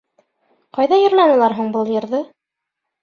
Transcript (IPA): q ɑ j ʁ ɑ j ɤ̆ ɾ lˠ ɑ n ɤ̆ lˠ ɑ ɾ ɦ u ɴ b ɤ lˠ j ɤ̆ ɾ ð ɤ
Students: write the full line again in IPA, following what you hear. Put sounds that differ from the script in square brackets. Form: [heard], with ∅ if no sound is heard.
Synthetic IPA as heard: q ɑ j [ð] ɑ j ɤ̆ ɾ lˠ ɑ n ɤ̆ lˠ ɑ ɾ ɦ u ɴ b ɤ lˠ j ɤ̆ ɾ ð ɤ